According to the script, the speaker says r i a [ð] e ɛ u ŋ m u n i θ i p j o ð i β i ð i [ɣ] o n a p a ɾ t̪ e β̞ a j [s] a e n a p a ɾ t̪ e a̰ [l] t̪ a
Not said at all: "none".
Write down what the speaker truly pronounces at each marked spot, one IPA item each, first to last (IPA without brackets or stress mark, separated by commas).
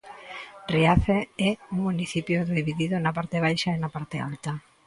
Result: θ, ð, ʃ, l